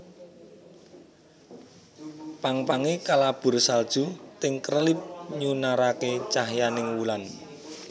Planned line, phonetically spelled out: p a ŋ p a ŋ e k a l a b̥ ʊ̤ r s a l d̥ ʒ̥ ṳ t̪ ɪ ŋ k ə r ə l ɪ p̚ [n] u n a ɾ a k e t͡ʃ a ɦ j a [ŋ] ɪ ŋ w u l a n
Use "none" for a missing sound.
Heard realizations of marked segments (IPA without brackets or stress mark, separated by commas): ɲ, n